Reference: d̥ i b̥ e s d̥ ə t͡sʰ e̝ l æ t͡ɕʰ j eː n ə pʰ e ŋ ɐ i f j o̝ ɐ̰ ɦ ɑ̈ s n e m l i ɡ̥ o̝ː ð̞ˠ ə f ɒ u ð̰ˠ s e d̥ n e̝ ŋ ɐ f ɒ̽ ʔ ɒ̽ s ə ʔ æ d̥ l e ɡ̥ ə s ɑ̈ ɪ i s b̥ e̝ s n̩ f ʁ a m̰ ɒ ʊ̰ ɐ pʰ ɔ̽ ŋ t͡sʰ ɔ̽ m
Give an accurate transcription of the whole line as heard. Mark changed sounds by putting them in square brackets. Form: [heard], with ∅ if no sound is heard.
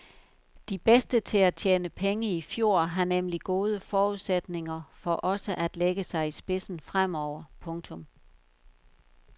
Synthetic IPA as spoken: d̥ i b̥ e s d̥ ə t͡sʰ e̝ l æ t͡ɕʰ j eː n ə pʰ e ŋ [ə] i f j o̝ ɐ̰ ɦ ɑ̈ [∅] n e m l i ɡ̥ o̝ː ð̞ˠ ə f [ɒː] u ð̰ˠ s e d̥ n e̝ ŋ ɐ f ɒ̽ ʔ ɒ̽ s ə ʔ æ d̥ l e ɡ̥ ə s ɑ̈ ɪ i s b̥ e̝ s n̩ f ʁ a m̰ ɒ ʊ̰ ɐ pʰ ɔ̽ ŋ t͡sʰ ɔ̽ m

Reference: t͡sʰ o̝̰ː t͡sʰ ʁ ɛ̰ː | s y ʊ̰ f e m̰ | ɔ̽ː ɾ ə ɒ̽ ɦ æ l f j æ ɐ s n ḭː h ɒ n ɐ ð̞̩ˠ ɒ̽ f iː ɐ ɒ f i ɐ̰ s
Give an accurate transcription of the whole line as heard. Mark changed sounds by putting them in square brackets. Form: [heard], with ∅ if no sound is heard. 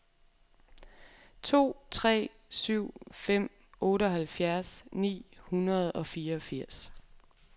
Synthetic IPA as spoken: t͡sʰ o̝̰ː t͡sʰ ʁ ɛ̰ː | s y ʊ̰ f e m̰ | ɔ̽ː ɾ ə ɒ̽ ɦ æ l f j æ ɐ s n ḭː h [u] n ɐ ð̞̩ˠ ɒ̽ f iː ɐ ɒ f i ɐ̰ s

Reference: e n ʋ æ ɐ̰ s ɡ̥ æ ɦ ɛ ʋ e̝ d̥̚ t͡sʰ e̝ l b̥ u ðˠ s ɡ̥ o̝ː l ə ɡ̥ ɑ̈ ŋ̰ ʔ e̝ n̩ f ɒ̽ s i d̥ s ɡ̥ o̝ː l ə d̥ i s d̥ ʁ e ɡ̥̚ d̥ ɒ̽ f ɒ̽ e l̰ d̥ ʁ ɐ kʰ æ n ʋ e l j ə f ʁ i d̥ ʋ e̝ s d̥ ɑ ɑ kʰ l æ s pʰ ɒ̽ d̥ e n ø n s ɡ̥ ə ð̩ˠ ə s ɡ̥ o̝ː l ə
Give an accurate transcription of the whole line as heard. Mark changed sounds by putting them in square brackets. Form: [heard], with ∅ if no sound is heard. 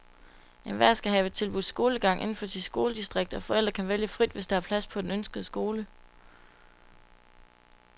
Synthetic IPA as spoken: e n ʋ æ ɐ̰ s ɡ̥ æ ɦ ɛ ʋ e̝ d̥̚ t͡sʰ e̝ l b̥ u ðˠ s ɡ̥ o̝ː l ə ɡ̥ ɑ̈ ŋ̰ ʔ e̝ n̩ f ɒ̽ s i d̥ s ɡ̥ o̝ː l ə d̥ i s d̥ ʁ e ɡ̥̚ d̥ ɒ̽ f ɒ̽ e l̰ d̥ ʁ ɐ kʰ æ n ʋ e l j ə f ʁ i d̥ ʋ e̝ s d̥ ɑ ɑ [pʰ] l æ s pʰ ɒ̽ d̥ e n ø n s ɡ̥ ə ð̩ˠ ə s ɡ̥ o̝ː l ə

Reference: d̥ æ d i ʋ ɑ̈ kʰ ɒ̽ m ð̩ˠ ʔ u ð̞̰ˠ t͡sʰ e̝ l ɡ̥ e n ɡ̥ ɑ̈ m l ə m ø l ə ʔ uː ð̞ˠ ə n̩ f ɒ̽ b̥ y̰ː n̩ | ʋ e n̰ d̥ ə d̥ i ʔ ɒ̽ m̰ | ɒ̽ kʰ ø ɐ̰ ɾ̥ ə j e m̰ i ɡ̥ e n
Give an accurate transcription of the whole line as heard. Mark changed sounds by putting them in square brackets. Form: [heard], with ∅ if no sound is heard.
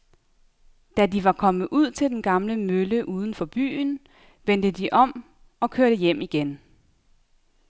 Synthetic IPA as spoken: d̥ æ d i ʋ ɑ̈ kʰ ɒ̽ m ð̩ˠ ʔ u ð̞̰ˠ t͡sʰ e̝ l [d̥] e n ɡ̥ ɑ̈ m l ə m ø l ə ʔ uː ð̞ˠ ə n̩ f ɒ̽ b̥ y̰ː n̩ | ʋ e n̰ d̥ ə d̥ i ʔ ɒ̽ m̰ | ɒ̽ kʰ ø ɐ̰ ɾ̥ ə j e m̰ i ɡ̥ e n

